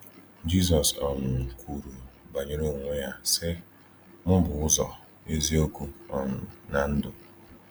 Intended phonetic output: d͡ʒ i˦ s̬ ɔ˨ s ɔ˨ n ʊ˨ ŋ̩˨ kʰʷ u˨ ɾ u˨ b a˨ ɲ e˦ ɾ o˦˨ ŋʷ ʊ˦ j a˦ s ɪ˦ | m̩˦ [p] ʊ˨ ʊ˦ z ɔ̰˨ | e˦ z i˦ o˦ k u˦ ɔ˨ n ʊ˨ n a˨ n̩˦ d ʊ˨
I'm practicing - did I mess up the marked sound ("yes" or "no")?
yes